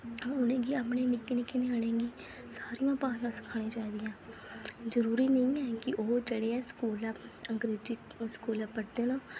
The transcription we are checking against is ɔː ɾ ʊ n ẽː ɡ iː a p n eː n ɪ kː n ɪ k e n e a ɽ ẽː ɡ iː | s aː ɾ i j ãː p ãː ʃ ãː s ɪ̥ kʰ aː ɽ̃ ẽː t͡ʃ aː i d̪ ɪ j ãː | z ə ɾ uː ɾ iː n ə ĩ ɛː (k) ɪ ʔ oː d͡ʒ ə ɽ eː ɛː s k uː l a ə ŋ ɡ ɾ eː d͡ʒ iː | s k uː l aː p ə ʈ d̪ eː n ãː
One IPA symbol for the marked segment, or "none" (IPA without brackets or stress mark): k